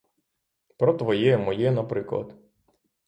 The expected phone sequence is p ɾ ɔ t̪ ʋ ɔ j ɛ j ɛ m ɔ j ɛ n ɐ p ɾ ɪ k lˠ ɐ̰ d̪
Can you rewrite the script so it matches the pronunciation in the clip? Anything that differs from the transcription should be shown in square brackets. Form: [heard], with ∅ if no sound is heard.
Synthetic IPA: p ɾ ɔ t̪ ʋ ɔ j ɛ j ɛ m ɔ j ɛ n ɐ p ɾ ɪ k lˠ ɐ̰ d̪